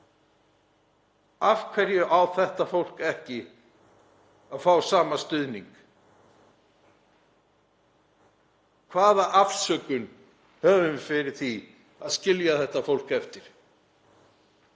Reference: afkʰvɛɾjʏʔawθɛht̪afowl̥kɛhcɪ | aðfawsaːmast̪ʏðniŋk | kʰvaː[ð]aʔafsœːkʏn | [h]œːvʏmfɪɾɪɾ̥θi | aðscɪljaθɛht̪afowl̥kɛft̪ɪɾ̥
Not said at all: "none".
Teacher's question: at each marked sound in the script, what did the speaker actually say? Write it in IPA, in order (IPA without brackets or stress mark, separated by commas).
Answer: ð, h